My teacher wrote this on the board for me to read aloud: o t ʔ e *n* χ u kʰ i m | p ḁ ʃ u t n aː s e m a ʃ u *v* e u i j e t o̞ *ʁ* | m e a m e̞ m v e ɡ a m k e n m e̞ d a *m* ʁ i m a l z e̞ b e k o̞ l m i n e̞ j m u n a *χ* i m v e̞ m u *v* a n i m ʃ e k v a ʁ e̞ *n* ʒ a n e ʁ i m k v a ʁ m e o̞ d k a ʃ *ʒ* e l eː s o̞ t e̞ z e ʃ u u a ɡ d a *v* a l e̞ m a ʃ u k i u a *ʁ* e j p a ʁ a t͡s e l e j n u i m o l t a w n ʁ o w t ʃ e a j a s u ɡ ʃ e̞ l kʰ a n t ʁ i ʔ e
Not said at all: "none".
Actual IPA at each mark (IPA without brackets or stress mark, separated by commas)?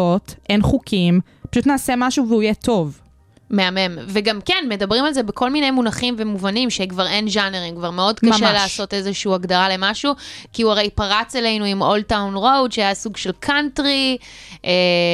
n, v, v, b, χ, v, n, ʃ, ʁ, ʁ